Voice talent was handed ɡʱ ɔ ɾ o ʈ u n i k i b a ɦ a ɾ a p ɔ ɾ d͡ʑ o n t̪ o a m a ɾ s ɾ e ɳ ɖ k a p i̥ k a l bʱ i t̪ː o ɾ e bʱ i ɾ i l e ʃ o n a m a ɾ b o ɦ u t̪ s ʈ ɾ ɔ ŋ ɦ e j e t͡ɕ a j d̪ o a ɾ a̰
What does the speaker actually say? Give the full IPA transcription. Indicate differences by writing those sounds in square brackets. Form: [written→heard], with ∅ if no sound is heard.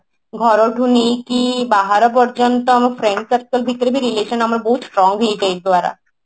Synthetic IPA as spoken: ɡʱ ɔ ɾ o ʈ u n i k i b a ɦ a ɾ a p ɔ ɾ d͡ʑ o n t̪ o a m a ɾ [s→f] ɾ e ɳ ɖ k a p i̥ k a l bʱ i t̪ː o ɾ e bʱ i ɾ i l e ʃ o n a m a ɾ b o ɦ u t̪ s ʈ ɾ ɔ ŋ ɦ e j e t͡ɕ a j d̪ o a ɾ a̰